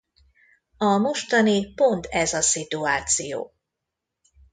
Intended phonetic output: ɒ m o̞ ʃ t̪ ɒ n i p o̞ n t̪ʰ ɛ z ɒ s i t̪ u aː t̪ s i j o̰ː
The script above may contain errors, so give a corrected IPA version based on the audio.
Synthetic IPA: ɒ m o̞ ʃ t̪ ɒ n i p o̞ n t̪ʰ ɛ z ɒ s i t̪ u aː t̪ s i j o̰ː